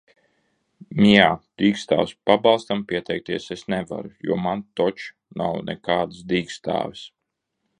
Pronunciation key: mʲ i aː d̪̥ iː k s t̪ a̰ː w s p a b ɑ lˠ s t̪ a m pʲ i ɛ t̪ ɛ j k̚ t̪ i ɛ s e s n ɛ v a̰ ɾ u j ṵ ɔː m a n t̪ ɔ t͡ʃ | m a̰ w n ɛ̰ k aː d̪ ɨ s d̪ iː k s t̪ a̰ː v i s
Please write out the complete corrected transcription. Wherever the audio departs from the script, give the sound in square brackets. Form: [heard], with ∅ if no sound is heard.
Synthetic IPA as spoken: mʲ i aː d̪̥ iː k s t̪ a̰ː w s p a b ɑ lˠ s t̪ a m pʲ i ɛ t̪ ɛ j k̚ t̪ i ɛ s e s n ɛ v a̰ ɾ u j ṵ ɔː m a n t̪ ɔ t͡ʃ | [n] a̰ w n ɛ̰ k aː d̪ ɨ s d̪ iː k s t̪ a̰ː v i s